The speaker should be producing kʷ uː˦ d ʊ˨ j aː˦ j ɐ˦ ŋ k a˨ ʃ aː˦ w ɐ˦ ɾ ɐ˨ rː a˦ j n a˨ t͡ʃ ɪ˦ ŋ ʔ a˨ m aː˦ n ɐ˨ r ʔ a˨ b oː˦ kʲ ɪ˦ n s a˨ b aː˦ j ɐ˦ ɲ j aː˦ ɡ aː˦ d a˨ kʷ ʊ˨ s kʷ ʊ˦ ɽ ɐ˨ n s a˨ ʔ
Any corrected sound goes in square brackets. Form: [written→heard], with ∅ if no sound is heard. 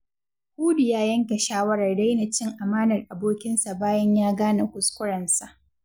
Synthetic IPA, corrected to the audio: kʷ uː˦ d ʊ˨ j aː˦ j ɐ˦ ŋ k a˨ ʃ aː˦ w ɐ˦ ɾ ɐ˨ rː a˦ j n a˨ t͡ʃ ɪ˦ ŋ ʔ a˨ m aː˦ n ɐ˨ r ʔ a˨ b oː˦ kʲ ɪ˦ n s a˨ b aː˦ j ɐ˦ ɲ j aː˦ ɡ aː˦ [d→n] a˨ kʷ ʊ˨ s kʷ ʊ˦ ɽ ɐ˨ n s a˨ ʔ